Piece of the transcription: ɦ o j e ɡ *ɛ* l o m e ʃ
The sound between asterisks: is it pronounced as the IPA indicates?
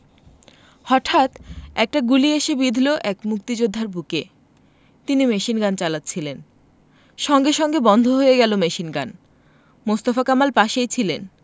yes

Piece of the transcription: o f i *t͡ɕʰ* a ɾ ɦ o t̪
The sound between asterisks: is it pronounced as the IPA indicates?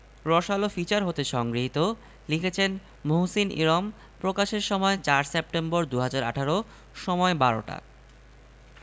no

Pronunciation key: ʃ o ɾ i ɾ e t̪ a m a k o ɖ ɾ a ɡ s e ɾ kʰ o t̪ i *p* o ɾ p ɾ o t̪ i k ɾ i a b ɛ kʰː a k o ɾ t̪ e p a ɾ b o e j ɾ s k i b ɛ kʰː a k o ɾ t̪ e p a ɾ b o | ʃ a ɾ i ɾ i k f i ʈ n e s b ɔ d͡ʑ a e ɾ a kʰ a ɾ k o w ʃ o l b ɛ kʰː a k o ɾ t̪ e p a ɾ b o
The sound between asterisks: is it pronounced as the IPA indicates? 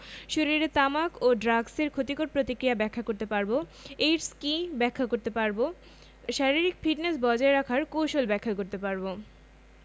no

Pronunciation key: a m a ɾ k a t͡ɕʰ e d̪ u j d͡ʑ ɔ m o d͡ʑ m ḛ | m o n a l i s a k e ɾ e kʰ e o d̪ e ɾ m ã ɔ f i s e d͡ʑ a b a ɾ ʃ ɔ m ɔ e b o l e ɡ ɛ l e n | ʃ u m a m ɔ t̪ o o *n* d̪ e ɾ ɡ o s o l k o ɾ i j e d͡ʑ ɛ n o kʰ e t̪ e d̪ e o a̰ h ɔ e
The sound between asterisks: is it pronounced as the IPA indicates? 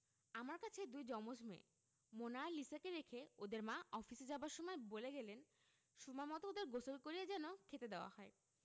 no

